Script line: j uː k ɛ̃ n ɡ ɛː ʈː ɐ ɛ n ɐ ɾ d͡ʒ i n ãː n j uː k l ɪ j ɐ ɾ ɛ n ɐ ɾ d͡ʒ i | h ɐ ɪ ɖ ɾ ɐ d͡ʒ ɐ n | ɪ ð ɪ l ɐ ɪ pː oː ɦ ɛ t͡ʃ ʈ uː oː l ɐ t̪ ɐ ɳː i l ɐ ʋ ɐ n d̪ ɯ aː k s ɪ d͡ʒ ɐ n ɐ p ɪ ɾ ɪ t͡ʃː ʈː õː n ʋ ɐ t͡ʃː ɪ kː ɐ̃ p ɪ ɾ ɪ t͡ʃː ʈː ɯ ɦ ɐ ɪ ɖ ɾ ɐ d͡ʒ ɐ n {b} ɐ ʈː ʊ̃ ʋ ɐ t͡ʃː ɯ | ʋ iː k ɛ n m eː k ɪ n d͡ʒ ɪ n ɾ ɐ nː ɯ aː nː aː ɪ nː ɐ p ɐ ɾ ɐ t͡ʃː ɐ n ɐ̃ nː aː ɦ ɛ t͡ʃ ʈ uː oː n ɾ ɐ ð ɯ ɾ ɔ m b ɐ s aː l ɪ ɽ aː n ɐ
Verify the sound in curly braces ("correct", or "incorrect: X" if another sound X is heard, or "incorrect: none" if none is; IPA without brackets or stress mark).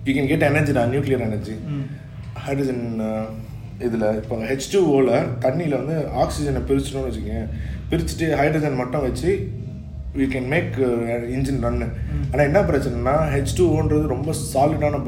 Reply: incorrect: m